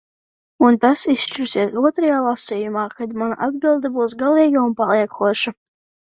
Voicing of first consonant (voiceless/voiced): voiced